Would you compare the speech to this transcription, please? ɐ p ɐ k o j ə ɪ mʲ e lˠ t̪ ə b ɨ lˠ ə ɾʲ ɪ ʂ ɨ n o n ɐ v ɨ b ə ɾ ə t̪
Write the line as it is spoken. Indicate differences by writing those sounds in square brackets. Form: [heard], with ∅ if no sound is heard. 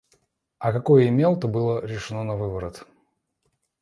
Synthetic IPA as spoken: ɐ [k] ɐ k o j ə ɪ mʲ e lˠ t̪ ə b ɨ lˠ ə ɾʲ ɪ ʂ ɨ n o n ɐ v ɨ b ə ɾ ə t̪